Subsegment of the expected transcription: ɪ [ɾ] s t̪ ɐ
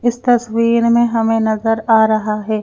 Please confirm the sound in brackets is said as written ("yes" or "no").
no